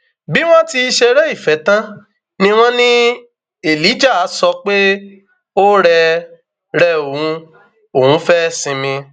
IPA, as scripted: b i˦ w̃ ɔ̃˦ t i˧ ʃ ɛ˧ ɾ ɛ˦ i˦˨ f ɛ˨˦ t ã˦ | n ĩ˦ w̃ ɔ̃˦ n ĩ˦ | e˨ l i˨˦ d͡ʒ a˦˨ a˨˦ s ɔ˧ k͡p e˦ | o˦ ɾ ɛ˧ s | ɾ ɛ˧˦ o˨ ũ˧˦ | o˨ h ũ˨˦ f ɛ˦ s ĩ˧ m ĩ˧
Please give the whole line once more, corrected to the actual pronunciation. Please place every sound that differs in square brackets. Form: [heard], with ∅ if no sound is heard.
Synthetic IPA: b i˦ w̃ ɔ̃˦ t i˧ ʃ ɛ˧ ɾ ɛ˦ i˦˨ f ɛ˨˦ t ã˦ | n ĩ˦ w̃ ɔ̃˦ n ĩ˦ | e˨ l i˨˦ d͡ʒ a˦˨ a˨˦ s ɔ˧ k͡p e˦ | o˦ ɾ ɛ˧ [∅] | ɾ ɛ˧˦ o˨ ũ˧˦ | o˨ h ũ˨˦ f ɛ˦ s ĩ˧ m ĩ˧